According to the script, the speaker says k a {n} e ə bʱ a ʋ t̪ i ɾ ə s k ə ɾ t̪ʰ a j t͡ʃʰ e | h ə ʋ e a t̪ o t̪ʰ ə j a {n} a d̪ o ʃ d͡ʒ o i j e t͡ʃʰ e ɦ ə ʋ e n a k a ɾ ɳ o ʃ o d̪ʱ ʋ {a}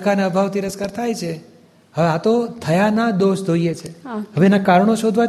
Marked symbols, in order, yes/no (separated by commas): yes, yes, yes